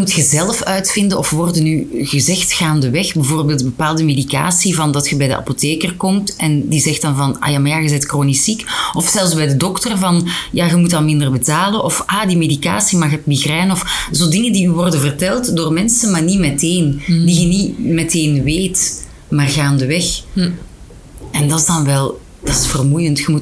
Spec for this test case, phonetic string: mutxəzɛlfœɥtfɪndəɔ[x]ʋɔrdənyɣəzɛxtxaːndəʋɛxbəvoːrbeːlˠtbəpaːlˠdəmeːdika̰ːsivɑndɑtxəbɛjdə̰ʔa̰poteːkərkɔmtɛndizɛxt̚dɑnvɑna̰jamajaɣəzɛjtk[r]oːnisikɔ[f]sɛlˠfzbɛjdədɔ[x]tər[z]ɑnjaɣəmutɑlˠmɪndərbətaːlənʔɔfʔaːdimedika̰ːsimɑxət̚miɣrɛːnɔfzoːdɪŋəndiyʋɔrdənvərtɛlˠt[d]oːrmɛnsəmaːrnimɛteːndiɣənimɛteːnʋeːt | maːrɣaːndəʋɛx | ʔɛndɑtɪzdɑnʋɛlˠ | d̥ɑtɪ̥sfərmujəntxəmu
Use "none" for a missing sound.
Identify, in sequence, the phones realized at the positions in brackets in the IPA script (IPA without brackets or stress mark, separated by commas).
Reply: f, r, f, k, v, d